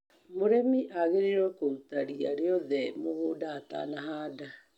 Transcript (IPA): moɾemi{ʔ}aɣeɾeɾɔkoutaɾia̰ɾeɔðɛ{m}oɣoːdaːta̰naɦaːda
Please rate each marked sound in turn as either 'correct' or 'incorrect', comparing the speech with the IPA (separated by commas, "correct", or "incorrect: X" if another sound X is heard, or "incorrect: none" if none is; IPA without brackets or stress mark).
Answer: correct, correct